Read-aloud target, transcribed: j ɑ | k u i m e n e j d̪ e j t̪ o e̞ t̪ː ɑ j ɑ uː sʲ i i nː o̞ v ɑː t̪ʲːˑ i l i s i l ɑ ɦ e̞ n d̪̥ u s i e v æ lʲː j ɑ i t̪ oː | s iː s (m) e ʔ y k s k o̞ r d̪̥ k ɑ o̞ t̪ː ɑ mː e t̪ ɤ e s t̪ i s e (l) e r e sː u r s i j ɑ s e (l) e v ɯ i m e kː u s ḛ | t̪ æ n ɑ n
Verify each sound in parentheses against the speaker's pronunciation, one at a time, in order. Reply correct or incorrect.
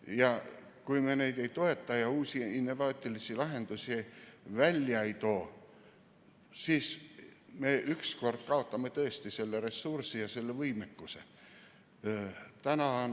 correct, incorrect, incorrect

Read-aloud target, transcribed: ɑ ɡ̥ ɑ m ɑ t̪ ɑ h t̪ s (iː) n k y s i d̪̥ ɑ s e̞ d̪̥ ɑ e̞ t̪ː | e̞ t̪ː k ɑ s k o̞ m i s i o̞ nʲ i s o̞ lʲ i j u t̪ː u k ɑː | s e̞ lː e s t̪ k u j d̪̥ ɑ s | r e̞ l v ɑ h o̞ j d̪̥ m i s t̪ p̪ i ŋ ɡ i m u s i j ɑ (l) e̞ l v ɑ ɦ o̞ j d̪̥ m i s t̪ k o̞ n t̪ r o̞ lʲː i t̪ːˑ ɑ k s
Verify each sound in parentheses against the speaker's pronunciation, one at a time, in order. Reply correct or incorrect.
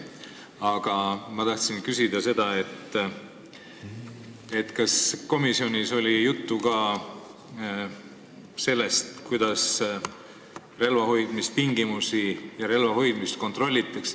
incorrect, incorrect

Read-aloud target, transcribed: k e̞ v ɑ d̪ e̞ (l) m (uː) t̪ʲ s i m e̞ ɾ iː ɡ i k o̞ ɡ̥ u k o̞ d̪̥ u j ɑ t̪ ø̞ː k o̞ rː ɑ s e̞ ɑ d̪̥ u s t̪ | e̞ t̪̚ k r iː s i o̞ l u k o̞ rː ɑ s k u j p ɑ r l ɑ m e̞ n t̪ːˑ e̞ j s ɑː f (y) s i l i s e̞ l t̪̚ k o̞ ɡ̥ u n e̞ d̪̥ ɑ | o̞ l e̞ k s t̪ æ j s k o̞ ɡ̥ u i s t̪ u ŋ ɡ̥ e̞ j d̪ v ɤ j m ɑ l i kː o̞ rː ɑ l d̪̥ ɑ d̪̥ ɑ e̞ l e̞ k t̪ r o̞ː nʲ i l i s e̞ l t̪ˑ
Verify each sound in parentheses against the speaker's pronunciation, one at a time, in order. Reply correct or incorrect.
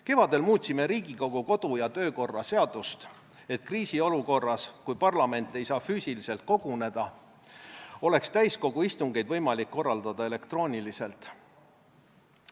correct, correct, incorrect

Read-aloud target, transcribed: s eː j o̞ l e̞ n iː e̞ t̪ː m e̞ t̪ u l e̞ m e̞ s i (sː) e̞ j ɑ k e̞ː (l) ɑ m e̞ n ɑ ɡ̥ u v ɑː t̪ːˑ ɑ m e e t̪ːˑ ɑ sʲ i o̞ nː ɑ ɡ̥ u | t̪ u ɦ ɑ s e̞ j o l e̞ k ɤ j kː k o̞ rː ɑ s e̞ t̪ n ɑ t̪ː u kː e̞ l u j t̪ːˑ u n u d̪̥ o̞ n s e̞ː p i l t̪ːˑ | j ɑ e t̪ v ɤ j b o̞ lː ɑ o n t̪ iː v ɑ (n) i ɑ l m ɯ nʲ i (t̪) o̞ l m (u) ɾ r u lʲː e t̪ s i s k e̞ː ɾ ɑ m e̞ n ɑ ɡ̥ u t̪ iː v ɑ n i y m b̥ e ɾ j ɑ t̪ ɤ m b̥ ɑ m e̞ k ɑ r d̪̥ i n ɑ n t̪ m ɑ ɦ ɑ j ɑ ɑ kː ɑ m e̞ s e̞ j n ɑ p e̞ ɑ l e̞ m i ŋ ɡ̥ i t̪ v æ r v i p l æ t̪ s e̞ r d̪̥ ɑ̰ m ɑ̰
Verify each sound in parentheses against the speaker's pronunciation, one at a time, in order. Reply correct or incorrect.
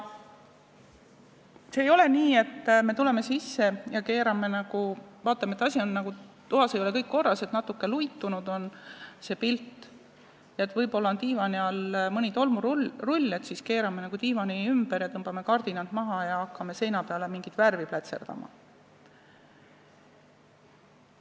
correct, incorrect, correct, correct, correct

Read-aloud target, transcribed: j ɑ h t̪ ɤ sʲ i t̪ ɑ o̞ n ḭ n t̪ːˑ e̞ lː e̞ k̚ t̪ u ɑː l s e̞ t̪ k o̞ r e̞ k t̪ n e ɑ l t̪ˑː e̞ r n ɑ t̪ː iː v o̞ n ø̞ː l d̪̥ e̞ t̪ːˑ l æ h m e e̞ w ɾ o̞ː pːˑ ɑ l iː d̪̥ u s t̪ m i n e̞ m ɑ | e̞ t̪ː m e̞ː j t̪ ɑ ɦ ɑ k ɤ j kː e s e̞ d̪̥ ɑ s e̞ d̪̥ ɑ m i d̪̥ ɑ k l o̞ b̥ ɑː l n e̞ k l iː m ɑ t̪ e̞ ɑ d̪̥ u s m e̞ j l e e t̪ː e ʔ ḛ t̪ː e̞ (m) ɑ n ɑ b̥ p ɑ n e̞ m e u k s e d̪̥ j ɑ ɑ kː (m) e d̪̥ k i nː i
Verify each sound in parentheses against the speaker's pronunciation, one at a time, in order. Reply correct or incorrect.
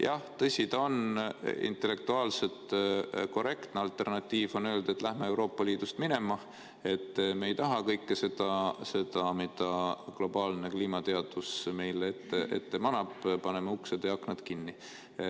correct, incorrect

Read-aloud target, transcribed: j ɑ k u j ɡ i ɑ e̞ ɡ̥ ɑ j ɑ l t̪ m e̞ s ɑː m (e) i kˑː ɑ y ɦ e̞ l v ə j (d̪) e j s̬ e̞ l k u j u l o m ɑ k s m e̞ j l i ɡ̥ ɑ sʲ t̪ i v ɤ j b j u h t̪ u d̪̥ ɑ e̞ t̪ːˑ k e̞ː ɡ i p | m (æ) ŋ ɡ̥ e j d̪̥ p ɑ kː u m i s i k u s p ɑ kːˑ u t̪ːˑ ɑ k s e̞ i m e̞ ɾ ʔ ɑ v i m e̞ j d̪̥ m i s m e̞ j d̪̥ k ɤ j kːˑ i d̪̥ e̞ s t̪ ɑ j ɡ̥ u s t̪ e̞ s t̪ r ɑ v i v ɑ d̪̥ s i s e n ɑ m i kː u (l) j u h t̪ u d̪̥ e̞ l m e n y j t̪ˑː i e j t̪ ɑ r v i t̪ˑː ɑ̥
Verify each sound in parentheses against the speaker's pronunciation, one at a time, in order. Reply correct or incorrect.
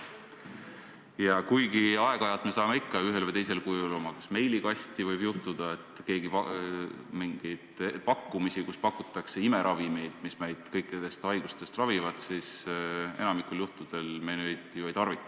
correct, incorrect, incorrect, correct

